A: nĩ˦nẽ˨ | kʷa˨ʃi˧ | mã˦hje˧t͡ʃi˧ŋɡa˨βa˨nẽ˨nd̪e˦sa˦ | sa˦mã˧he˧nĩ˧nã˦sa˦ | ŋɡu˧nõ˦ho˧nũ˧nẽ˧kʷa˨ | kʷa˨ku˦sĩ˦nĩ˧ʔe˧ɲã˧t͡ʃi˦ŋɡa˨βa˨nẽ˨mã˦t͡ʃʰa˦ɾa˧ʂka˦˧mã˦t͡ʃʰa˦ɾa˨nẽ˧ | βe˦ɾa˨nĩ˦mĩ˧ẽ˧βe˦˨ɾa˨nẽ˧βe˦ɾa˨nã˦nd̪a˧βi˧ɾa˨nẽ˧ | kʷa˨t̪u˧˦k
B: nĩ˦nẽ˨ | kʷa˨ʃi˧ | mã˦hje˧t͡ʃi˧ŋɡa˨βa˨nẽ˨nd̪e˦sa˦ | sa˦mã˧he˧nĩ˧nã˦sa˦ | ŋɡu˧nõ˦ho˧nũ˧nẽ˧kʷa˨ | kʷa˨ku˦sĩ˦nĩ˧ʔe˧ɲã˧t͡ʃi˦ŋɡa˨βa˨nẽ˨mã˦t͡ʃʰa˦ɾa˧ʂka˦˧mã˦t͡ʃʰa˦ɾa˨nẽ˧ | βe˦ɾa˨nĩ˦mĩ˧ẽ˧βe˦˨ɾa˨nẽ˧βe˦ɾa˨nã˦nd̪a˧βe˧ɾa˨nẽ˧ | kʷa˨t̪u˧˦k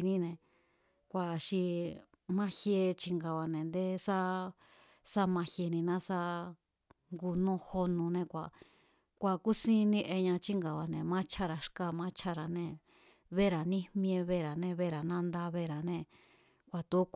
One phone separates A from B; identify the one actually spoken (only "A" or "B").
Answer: B